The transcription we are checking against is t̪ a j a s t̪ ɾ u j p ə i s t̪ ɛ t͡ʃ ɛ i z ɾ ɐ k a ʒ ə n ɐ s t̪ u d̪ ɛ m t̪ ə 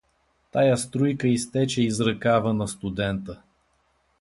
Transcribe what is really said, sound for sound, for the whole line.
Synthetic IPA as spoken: t̪ a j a s t̪ ɾ u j k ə i s t̪ ɛ t͡ʃ ɛ i z ɾ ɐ k a v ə n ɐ s t̪ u d̪ ɛ n t̪ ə